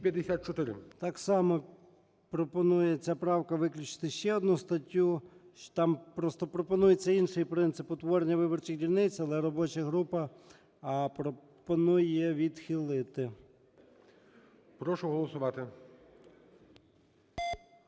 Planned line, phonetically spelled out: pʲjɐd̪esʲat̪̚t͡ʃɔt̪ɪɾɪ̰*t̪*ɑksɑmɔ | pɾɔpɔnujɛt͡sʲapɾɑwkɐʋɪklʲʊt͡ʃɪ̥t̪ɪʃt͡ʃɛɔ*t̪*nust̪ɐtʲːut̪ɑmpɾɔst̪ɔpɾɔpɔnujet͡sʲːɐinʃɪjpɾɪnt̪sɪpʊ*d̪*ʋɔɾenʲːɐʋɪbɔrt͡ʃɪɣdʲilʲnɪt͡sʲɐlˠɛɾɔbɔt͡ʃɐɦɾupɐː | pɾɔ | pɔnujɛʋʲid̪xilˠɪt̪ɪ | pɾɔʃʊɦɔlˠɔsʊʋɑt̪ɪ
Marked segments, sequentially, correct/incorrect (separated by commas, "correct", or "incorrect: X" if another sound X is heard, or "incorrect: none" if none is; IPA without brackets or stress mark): correct, incorrect: d̪, incorrect: t̪